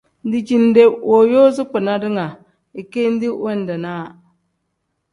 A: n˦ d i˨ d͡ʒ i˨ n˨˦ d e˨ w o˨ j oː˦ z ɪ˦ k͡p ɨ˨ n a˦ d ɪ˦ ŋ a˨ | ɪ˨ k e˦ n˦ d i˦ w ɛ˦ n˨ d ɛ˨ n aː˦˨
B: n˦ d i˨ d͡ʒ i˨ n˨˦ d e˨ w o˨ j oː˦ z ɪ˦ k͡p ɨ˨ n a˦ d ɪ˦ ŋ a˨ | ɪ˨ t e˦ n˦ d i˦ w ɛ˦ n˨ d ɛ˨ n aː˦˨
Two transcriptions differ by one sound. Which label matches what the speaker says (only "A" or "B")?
A